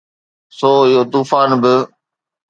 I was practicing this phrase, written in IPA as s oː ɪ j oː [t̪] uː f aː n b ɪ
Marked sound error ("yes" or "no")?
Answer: no